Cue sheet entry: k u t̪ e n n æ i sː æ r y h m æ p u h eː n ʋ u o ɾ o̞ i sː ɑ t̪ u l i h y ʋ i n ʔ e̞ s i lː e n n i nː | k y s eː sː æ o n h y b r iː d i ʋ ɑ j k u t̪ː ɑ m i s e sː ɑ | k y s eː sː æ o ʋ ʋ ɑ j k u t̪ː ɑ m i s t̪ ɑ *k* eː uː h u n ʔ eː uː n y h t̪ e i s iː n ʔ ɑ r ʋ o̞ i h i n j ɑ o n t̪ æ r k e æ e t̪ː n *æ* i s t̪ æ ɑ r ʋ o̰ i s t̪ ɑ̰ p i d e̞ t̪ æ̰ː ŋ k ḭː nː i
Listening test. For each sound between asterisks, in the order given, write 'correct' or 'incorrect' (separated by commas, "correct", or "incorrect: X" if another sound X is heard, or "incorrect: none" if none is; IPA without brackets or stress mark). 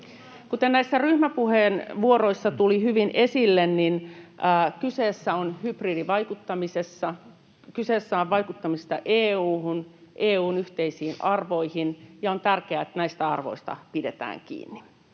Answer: incorrect: ʔ, correct